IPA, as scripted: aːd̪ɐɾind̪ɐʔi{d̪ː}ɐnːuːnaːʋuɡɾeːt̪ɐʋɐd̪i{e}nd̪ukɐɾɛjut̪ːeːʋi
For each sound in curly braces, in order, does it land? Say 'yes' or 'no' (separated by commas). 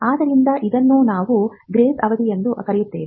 no, yes